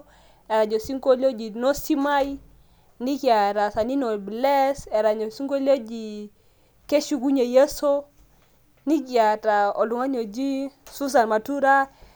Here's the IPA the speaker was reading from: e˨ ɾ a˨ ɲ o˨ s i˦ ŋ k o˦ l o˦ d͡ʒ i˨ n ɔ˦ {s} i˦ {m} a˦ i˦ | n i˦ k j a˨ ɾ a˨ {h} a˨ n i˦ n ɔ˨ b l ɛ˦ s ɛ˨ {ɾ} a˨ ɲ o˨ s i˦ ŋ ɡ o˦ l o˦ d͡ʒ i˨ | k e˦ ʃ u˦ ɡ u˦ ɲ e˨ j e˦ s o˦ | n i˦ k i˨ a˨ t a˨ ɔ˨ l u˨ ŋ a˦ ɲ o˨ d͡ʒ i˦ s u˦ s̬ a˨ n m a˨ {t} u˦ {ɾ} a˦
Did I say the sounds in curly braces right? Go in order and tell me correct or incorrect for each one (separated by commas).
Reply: correct, correct, incorrect, correct, correct, correct